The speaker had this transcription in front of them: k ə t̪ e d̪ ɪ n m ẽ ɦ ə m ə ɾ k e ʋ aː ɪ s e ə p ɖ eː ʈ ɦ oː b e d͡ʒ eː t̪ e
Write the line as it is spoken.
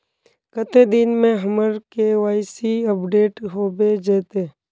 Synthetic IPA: k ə t̪ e d̪ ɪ n m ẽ ɦ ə m ə ɾ k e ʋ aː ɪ s i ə p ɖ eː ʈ ɦ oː b e d͡ʒ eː t̪ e